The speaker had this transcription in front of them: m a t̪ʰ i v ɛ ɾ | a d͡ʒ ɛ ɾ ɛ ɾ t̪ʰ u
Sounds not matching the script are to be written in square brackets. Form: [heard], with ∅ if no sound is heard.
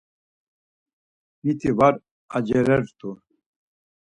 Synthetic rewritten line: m [i] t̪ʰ i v [a] ɾ | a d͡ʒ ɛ ɾ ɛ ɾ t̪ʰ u